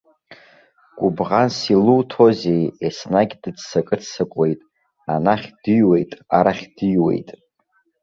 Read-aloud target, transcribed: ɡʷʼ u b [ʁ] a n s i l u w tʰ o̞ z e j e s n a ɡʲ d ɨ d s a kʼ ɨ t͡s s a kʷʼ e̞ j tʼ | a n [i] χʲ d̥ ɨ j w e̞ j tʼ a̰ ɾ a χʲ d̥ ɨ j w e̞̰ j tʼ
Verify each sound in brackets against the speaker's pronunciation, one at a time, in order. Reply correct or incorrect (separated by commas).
correct, incorrect